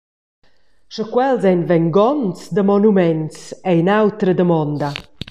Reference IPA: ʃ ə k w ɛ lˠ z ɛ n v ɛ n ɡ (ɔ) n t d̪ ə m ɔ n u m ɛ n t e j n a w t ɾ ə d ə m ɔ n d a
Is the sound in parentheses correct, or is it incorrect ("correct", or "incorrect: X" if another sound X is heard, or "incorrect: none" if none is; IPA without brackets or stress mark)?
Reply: correct